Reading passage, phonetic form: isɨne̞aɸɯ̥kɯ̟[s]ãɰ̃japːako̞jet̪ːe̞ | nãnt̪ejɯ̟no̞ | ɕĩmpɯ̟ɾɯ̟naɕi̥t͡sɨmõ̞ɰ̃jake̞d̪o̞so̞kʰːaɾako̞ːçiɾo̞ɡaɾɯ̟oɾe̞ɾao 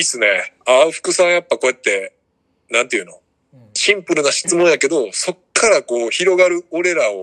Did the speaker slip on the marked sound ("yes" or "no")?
no